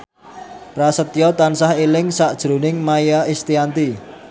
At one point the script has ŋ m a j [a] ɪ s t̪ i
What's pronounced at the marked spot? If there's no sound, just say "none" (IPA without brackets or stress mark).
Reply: a